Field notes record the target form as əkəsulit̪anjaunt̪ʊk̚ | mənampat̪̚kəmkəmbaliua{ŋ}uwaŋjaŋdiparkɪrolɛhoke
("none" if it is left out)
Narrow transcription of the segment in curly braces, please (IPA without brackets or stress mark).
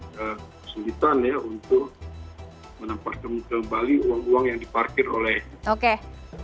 ŋ